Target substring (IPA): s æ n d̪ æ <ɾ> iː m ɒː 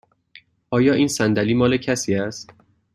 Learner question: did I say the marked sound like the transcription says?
no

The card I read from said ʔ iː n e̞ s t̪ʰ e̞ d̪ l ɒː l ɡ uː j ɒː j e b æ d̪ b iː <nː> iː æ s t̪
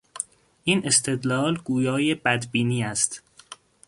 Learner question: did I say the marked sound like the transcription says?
no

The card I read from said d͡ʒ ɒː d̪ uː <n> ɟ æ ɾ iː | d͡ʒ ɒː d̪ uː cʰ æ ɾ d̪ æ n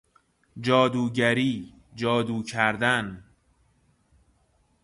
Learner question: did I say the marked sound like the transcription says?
no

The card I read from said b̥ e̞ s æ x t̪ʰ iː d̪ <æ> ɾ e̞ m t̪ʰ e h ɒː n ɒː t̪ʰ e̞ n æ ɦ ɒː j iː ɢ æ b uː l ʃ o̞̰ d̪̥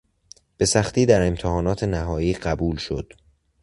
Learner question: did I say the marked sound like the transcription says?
yes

